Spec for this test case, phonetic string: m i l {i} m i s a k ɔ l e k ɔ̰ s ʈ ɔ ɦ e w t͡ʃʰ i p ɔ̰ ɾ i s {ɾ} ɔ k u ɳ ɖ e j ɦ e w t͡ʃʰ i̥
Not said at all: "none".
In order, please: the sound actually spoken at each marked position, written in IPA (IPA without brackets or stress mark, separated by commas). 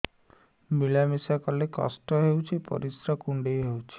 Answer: a, ɾ